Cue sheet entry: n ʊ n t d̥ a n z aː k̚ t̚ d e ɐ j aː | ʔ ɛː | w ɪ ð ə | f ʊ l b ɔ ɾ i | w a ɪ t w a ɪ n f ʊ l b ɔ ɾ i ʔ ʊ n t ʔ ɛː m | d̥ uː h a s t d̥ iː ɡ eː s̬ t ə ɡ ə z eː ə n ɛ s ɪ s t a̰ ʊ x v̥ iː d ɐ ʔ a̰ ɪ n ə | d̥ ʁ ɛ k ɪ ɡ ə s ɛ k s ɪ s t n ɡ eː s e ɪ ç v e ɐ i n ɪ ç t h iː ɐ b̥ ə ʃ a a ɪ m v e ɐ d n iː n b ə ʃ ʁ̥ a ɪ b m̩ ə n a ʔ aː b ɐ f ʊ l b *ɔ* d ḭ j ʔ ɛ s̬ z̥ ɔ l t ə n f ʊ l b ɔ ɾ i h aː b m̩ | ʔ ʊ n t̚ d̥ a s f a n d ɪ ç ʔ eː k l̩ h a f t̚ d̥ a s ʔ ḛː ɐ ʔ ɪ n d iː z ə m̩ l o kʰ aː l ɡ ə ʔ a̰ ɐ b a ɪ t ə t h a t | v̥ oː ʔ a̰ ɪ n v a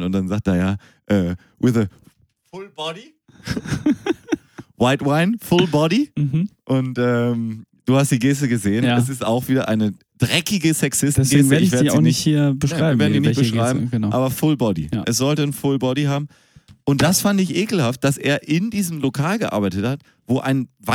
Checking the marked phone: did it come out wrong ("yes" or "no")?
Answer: no